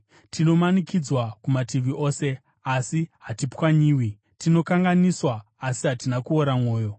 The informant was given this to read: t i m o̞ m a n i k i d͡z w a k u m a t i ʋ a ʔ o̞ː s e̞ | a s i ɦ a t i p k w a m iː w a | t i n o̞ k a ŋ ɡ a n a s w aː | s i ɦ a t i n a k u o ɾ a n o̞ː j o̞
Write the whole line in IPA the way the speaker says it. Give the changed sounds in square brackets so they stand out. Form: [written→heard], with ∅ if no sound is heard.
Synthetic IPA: t i [m→n] o̞ m a n i k i d͡z w a k u m a t i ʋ [a→i] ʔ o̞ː s e̞ | a s i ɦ a t i p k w a [m→ɲ] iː w [a→i] | t i n o̞ k a ŋ ɡ a n [a→i] s w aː | s i ɦ a t i n a k u o ɾ a [n→m] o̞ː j o̞